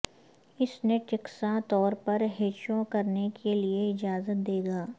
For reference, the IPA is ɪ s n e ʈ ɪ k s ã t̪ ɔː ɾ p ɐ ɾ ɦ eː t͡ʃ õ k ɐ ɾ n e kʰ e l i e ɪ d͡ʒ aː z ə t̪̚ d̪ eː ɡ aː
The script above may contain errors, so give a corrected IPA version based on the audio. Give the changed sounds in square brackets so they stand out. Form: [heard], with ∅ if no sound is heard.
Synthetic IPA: ɪ s n e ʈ ɪ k s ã t̪ ɔː ɾ p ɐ ɾ ɦ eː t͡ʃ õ k ɐ ɾ n e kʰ e l i e ɪ d͡ʒ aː z ə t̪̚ d̪ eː ɡ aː